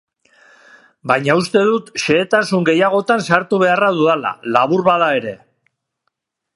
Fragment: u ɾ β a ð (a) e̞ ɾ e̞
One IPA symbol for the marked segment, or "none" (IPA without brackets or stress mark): a